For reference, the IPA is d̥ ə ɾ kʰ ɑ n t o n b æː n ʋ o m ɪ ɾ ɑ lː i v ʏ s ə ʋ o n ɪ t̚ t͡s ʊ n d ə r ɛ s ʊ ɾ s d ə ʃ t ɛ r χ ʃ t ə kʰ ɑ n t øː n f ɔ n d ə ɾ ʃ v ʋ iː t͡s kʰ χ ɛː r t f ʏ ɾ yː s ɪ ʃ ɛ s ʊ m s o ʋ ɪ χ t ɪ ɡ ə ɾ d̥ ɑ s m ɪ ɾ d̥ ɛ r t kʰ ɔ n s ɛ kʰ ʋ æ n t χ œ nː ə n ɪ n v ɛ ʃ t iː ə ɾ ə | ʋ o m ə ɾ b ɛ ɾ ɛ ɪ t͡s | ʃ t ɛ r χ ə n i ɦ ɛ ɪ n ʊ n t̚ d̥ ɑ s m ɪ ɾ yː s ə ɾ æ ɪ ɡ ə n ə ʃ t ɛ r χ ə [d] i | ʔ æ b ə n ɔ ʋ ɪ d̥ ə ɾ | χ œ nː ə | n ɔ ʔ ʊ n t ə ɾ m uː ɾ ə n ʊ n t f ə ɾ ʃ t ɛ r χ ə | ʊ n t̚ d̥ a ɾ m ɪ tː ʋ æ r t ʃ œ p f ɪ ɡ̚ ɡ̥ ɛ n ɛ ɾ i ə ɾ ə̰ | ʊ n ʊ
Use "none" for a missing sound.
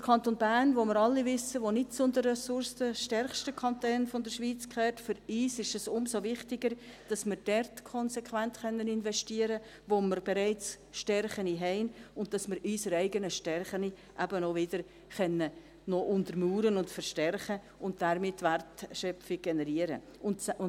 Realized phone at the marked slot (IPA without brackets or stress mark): n